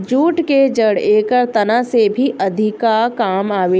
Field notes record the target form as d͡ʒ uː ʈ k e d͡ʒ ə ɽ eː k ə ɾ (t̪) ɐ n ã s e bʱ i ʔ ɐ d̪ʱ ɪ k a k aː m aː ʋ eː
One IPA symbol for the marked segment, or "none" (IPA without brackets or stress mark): t̪